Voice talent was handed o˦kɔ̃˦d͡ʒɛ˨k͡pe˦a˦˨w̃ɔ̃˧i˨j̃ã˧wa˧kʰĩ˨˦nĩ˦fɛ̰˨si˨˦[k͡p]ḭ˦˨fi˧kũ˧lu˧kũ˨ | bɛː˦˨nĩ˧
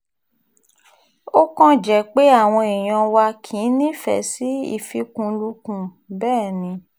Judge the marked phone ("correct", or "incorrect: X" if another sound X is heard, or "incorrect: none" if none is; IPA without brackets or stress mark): incorrect: none